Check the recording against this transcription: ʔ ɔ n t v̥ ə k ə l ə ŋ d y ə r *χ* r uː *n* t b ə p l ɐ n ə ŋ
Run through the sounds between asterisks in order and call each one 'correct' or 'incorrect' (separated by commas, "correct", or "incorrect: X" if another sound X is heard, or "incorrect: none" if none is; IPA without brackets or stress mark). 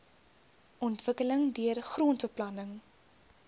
correct, correct